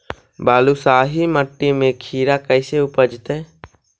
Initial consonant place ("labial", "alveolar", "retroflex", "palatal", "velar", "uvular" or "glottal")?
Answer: labial